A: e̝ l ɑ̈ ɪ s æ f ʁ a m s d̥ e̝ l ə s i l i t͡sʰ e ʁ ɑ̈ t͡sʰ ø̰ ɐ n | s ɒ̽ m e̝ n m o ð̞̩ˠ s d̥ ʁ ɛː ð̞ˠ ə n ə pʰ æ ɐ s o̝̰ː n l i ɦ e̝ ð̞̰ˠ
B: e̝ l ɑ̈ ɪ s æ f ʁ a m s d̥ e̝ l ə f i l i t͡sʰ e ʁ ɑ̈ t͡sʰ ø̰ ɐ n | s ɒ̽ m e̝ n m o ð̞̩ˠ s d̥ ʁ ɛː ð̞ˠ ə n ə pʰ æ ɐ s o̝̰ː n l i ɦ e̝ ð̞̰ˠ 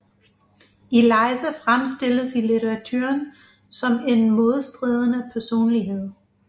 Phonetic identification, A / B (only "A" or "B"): A